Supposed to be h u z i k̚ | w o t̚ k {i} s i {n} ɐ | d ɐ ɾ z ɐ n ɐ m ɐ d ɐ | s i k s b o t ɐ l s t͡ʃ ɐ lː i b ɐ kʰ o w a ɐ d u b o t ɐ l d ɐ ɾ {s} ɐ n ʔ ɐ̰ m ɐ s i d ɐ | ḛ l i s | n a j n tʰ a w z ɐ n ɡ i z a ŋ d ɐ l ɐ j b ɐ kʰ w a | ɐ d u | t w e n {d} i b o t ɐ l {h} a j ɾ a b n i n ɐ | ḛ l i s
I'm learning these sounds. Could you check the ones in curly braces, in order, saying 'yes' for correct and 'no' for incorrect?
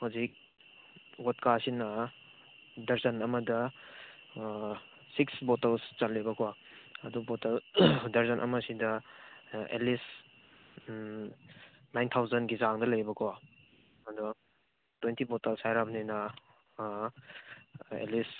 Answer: no, yes, no, no, no

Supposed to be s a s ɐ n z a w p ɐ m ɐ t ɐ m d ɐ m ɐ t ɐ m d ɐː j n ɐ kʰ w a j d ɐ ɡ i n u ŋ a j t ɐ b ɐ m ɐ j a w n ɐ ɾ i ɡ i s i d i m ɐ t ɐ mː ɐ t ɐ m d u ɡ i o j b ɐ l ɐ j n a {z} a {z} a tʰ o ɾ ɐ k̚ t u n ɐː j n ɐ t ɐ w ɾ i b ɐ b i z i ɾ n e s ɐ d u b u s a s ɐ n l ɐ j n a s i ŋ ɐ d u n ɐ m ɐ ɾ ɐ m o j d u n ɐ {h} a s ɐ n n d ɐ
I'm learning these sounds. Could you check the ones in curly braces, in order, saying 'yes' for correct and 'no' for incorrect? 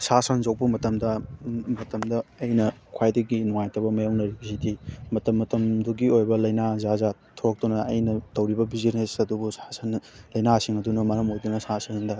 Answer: yes, yes, no

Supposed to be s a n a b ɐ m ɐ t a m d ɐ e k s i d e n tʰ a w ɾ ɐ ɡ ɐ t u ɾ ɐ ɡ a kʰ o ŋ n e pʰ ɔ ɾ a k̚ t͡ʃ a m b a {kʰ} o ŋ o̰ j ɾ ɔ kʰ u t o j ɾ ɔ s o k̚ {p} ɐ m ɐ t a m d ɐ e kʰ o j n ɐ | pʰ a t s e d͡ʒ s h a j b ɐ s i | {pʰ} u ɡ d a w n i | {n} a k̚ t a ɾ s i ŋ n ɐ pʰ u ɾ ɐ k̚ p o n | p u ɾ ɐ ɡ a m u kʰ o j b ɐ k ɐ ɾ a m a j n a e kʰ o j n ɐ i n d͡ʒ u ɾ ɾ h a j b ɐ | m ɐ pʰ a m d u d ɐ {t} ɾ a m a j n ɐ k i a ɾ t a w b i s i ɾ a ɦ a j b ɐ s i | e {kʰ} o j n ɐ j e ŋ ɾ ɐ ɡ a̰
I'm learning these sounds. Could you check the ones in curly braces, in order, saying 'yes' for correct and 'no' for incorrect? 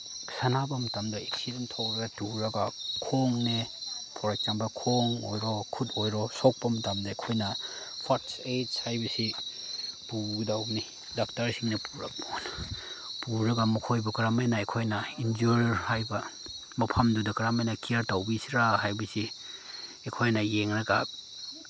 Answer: yes, yes, no, no, no, yes

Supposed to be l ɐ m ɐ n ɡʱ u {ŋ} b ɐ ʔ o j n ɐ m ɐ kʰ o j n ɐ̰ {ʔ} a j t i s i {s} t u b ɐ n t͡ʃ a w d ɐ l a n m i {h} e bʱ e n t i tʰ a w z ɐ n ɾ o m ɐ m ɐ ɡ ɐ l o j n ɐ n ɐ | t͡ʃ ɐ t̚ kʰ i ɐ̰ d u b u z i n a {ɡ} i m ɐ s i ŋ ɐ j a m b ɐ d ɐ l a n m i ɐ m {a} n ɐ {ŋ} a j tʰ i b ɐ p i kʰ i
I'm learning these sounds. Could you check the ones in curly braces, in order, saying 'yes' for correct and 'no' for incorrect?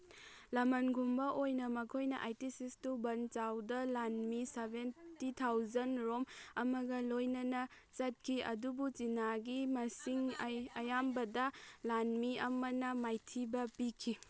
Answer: no, yes, yes, no, yes, no, no

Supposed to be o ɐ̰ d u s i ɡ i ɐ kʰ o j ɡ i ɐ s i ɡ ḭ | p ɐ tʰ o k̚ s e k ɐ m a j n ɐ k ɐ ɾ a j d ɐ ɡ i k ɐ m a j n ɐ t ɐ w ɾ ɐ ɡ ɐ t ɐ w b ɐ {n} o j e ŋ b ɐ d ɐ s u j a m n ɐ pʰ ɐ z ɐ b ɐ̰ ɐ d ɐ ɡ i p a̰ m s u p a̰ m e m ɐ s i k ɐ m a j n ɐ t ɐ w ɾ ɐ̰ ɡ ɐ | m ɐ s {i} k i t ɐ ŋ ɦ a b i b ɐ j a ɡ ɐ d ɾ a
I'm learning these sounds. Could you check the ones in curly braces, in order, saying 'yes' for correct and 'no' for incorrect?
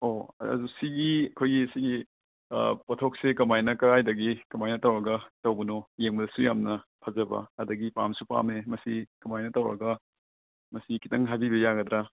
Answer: yes, yes

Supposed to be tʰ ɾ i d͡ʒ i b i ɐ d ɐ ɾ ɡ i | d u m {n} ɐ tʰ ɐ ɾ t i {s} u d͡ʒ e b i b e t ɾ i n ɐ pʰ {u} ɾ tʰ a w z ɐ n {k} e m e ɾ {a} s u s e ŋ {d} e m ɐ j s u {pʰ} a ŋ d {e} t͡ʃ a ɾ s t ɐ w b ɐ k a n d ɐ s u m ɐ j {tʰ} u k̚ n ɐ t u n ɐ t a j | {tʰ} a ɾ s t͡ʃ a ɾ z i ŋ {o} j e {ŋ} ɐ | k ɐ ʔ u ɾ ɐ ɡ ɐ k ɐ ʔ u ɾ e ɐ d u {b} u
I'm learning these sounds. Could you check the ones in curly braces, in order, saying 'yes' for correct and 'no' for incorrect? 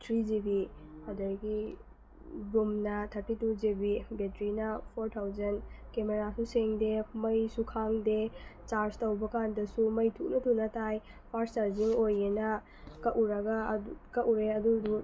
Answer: yes, no, no, yes, yes, yes, no, yes, yes, no, yes, no, no

